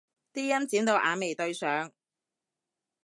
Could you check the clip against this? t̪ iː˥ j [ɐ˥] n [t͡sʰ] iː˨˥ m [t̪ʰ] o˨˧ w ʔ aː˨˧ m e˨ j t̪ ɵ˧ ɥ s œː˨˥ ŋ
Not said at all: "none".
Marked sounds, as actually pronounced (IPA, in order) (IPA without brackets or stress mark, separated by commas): ɐ˥, t͡s, t̪